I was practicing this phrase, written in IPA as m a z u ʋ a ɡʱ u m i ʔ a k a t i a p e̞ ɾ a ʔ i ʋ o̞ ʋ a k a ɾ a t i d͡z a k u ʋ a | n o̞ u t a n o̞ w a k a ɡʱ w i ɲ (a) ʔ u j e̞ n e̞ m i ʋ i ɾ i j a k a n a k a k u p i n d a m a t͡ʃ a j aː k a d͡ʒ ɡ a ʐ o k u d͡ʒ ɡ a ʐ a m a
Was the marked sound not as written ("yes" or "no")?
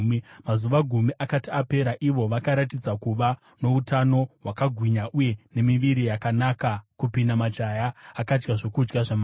no